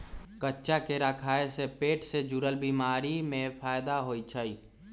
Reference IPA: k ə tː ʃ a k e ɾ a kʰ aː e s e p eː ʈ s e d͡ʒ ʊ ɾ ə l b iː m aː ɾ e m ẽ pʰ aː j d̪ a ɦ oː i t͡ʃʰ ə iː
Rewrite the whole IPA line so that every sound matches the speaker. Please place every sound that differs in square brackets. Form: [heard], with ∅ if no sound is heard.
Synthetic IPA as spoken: k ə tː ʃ a k e ɾ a kʰ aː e s e p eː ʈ s e d͡ʒ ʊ ɾ ə l b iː m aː ɾ [i] m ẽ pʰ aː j d̪ a ɦ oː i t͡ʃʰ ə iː